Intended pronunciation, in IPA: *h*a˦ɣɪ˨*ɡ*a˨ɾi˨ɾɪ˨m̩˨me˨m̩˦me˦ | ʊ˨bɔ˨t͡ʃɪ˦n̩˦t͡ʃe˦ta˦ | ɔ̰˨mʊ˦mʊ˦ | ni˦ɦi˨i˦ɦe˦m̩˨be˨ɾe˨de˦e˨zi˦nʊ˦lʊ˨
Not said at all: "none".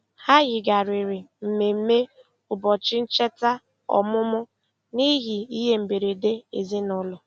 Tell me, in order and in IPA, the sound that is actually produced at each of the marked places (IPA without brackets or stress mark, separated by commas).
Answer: h, ɡ